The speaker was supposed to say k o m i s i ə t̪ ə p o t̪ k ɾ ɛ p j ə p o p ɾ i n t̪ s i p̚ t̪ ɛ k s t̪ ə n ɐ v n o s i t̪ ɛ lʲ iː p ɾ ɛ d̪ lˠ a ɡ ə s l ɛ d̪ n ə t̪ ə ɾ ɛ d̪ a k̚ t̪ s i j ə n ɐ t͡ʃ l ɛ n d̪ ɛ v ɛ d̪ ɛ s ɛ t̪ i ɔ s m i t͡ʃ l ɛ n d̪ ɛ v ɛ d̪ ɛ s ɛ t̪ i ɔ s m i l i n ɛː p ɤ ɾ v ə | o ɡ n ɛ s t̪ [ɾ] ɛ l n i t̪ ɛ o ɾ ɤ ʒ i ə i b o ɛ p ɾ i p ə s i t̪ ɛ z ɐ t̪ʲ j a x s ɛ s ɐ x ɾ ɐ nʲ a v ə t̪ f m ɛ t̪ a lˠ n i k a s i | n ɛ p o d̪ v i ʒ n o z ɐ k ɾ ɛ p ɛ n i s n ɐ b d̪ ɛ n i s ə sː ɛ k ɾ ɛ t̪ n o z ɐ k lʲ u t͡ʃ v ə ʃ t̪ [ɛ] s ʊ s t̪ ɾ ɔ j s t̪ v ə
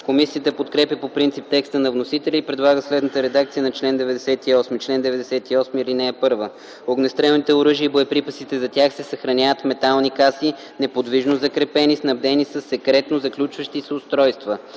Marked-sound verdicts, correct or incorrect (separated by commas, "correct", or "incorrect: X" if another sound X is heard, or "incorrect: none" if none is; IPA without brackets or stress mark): correct, incorrect: i